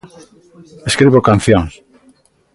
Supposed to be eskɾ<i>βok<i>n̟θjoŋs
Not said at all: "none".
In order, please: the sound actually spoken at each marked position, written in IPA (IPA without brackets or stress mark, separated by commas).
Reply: i, a